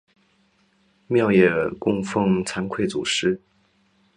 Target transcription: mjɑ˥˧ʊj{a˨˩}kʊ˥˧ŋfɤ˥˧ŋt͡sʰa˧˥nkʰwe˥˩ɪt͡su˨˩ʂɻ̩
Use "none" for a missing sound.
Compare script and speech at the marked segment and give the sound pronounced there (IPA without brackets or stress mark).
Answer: ɛ˨˩